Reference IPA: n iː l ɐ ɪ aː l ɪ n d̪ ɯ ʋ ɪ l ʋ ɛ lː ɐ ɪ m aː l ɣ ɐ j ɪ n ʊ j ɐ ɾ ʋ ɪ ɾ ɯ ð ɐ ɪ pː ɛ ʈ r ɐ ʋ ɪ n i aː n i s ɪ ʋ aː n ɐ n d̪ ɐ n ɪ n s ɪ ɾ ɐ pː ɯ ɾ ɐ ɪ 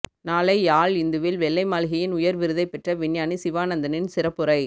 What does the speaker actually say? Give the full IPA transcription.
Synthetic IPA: n aː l ɐ ɪ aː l ɪ n d̪ ɯ ʋ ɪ l ʋ ɛ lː ɐ ɪ m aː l ɣ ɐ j ɪ n ʊ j ɐ ɾ ʋ ɪ ɾ ɯ ð ɐ ɪ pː ɛ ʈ r ɐ ʋ ɪ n j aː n i s ɪ ʋ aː n ɐ n d̪ ɐ n ɪ n s ɪ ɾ ɐ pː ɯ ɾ ɐ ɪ